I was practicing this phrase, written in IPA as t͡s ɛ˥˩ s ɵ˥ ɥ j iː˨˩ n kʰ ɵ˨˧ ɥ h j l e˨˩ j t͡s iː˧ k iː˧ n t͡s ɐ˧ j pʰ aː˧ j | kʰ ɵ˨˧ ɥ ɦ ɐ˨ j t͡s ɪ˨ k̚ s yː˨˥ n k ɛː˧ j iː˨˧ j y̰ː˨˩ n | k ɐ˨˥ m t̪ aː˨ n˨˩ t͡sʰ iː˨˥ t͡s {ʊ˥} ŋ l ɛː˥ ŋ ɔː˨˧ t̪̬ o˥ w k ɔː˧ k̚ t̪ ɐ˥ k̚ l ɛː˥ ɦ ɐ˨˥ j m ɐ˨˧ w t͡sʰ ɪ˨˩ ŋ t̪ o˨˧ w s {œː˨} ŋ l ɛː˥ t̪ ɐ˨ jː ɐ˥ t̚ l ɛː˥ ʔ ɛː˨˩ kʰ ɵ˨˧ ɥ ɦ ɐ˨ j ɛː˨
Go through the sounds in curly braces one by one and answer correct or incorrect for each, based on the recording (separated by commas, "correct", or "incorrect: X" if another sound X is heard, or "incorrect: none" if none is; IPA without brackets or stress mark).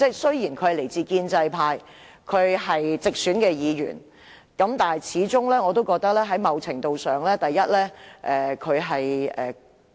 correct, correct